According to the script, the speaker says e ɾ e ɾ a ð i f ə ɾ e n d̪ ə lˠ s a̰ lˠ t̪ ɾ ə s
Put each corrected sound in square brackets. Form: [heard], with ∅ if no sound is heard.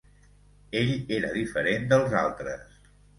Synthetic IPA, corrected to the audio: e [ʎ] e ɾ [ə] ð i f ə ɾ e n d̪ ə lˠ [z] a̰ lˠ t̪ ɾ ə s